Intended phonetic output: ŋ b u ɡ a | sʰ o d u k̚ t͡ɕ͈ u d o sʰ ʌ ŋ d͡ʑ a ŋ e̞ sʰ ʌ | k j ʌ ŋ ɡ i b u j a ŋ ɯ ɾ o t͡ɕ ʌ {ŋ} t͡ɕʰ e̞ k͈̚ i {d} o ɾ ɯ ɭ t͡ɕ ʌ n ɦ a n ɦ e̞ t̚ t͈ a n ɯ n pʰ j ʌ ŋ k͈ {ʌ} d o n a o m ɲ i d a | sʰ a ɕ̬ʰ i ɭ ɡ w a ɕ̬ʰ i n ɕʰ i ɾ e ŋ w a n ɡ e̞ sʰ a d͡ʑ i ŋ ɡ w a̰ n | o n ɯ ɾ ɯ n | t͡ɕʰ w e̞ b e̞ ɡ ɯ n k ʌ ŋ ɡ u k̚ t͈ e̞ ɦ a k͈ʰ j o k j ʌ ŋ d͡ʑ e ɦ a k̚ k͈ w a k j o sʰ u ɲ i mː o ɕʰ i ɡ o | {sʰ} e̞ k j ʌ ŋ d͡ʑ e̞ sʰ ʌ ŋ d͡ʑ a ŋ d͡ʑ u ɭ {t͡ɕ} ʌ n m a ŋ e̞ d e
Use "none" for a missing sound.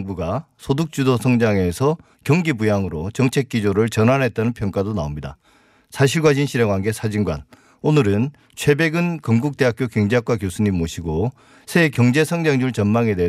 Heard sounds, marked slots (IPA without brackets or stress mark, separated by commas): ŋ, d͡ʑ, a, sʰ, t͡ɕ